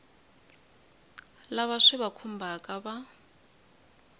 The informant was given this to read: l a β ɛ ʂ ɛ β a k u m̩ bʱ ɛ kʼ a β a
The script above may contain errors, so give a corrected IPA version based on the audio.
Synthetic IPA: l a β a ʂ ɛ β a kʰ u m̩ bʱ a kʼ a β a